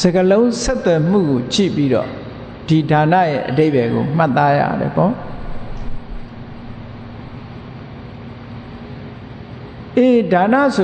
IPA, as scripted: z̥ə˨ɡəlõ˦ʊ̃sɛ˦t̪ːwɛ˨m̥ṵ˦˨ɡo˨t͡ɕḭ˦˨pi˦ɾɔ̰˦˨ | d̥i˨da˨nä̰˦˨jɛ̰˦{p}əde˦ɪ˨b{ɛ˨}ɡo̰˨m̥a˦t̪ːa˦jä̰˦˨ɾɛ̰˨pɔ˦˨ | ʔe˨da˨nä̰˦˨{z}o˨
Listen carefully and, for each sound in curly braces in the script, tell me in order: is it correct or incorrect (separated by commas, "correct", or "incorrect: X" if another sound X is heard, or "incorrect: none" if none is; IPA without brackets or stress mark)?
incorrect: ʔ, correct, incorrect: s